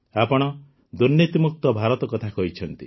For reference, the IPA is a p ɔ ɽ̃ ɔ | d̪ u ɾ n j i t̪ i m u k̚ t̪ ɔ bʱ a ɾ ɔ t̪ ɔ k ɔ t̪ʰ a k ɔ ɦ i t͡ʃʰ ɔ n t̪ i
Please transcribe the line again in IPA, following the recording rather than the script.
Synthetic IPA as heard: a p ɔ ɽ̃ ɔ | d̪ u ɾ n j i t̪ i m u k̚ t̪ ɔ bʱ a ɾ ɔ t̪ ɔ k ɔ t̪ʰ a k ɔ ɦ i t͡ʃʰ ɔ n t̪ i